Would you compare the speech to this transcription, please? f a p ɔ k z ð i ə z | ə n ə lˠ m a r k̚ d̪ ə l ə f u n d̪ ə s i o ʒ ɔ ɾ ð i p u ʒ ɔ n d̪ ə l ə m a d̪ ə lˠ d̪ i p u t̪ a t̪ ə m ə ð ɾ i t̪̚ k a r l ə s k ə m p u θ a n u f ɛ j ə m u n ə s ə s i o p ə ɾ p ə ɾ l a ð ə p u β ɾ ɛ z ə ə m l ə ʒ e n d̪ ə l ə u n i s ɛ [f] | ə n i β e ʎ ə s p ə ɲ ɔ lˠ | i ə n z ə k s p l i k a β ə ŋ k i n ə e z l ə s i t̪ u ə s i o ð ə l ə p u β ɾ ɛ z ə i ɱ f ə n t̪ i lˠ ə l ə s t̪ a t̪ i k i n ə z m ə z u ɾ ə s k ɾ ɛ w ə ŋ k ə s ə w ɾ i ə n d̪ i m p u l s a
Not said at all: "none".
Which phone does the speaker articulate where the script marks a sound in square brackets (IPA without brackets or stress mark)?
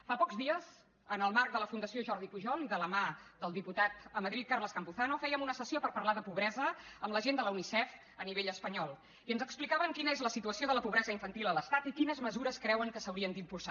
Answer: f